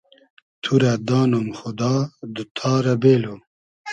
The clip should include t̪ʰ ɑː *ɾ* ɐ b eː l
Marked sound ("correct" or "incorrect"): correct